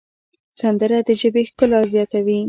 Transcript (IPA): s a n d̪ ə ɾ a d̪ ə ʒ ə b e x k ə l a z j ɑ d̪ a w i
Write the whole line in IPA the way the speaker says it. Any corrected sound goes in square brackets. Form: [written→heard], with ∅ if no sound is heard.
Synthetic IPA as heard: s a n d̪ ə ɾ a d̪ ə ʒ ə b e x k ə l a z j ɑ [d̪→t̪] a w i

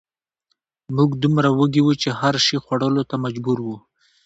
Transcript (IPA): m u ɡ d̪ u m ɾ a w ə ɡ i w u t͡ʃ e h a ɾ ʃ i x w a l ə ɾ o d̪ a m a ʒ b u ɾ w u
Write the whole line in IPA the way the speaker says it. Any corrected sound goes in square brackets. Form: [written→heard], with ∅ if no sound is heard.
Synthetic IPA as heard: m u ɡ d̪ u m ɾ a w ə ɡ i w u t͡ʃ e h a ɾ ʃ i x w a [l→ɽ] ə [ɾ→l] o [d̪→t̪] a m a [ʒ→d͡ʒ] b u ɾ w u

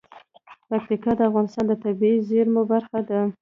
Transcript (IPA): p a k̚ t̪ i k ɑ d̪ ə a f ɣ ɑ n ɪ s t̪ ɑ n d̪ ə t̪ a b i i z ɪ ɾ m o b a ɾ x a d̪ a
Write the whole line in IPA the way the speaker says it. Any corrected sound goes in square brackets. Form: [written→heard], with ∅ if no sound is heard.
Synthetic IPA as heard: p a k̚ t̪ i k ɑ d̪ ə a f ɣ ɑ n ɪ s t̪ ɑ n d̪ ə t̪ a b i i z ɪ ɾ m o b a ɾ x a d̪ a

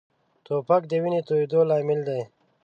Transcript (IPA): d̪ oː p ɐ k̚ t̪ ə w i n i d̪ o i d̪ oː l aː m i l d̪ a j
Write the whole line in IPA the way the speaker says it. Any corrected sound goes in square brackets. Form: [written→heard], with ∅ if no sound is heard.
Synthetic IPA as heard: [d̪→t̪] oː p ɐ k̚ [t̪→d̪] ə w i n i [d̪→t̪] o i d̪ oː l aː m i l d̪ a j

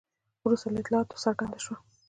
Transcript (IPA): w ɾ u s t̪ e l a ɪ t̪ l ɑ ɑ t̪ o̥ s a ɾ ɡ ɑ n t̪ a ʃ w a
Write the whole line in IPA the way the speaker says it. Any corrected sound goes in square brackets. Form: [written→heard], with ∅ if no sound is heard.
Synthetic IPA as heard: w ɾ u s t̪ [e→a] l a ɪ t̪ l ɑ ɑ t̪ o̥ s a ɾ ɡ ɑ n [t̪→d̪] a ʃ w a

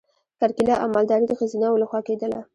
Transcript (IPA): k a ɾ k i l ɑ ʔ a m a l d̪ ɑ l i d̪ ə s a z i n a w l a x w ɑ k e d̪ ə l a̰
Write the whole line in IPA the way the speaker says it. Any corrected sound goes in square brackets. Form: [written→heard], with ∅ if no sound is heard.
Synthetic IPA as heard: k a ɾ k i l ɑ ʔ a m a l d̪ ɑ [l→ɾ] i d̪ ə [s→x] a z i n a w l a x w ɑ k e d̪ ə l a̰

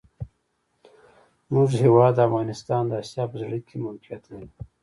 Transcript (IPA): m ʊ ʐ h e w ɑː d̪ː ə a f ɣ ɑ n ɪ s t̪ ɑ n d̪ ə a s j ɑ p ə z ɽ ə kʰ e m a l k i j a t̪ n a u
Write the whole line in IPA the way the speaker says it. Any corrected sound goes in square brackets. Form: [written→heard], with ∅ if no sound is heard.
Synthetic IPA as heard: m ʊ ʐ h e w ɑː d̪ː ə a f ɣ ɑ n ɪ s t̪ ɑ n d̪ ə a s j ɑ p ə z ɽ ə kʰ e m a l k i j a t̪ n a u

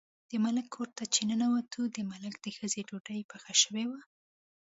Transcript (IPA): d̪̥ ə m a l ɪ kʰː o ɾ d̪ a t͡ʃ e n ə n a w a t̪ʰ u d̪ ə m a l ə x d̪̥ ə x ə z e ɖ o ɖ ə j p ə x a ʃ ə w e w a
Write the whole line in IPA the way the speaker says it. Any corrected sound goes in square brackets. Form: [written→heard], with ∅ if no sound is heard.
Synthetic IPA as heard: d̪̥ ə m a l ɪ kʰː o ɾ [d̪→t̪] a t͡ʃ e n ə n a w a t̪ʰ u d̪ ə m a l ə [x→k] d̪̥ ə x ə z e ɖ o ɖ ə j p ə x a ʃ ə w e w a

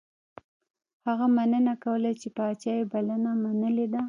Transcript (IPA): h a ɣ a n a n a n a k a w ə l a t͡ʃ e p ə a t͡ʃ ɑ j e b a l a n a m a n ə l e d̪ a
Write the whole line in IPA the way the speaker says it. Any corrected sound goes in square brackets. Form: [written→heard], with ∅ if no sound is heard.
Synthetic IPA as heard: h a ɣ a [n→m] a n [a→ə] n a k a w ə l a t͡ʃ e p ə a t͡ʃ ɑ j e b a l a n a m a n ə l e d̪ a

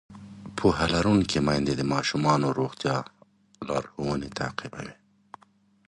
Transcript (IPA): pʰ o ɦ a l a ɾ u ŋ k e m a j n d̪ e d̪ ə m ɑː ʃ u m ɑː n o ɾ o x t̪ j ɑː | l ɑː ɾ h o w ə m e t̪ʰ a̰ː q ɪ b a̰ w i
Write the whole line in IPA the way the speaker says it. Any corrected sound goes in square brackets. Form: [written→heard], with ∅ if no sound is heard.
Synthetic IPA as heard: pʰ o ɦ a l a ɾ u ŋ k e m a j n d̪ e d̪ ə m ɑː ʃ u m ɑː n o ɾ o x t̪ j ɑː | l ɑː ɾ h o w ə [m→n] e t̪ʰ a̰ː q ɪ b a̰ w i

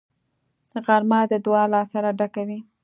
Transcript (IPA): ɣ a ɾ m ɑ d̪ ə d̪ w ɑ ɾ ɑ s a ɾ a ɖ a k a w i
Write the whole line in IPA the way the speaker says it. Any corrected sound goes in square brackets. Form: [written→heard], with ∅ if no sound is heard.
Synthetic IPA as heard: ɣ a ɾ m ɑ d̪ ə d̪ w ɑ [ɾ→l] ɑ s a ɾ a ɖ a k a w i

